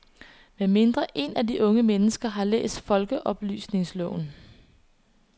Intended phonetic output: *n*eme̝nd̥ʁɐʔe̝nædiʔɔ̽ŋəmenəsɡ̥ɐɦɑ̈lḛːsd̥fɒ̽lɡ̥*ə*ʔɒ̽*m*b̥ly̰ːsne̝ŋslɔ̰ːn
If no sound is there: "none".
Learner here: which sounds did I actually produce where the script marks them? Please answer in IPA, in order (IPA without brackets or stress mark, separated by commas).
m, ə, none